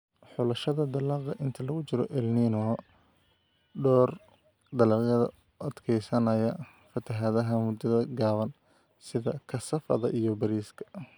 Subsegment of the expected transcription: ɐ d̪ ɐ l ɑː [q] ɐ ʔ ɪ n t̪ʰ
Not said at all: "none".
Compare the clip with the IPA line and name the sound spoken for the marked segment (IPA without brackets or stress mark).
q